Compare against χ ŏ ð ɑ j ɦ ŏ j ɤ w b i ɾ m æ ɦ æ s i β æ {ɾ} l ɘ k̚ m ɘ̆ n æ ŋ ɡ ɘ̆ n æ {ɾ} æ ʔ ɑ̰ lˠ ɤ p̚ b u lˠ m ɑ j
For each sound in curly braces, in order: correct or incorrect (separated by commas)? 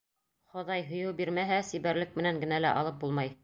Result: correct, incorrect